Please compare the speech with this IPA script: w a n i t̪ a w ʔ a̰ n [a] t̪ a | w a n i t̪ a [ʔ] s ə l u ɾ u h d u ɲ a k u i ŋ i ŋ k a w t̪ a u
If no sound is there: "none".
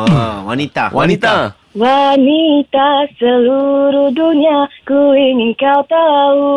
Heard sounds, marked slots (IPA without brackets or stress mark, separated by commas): i, none